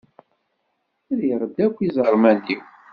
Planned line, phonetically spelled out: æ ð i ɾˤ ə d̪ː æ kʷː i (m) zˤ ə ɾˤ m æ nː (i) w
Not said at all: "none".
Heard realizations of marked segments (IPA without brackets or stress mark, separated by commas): none, i